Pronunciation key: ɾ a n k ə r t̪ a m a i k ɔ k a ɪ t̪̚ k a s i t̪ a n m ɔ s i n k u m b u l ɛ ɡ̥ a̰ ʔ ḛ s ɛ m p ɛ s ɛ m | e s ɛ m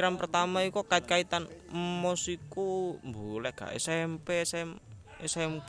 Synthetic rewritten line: ɾ a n p ə r t̪ a m a i k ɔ k a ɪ t̪̚ k a i t̪ a n m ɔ s i k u m b u l ɛ ɡ̥ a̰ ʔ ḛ s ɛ m p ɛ s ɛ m | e s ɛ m